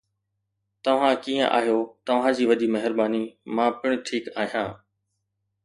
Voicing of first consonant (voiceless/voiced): voiceless